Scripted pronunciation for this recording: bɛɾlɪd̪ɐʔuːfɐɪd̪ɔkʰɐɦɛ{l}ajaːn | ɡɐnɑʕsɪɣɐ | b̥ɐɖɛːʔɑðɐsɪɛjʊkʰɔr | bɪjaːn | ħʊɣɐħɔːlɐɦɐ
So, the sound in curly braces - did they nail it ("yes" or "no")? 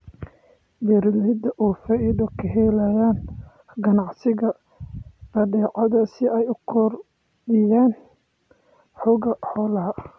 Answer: yes